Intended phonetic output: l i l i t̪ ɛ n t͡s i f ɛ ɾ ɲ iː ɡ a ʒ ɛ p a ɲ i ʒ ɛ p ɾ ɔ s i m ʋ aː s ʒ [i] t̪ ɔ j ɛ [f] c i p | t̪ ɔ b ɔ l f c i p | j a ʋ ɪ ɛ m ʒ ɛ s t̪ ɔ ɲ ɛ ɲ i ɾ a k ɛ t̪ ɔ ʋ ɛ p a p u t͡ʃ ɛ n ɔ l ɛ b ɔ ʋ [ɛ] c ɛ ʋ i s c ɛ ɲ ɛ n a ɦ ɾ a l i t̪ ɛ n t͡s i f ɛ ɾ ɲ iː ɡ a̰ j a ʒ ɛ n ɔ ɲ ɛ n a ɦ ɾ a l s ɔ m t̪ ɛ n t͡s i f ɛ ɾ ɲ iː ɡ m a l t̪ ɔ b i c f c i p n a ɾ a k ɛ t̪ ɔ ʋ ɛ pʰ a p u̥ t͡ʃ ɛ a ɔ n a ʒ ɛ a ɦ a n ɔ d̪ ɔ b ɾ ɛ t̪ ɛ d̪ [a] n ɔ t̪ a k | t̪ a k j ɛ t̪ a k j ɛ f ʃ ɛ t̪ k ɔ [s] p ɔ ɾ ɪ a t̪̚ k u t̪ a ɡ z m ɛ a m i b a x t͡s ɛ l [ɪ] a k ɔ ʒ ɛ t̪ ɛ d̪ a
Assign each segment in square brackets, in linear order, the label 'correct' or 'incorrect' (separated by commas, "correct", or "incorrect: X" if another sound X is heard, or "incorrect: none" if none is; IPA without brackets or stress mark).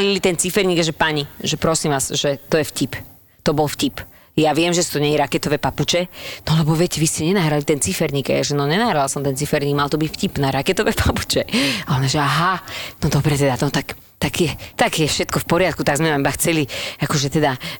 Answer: incorrect: ɛ, correct, correct, correct, incorrect: f, incorrect: i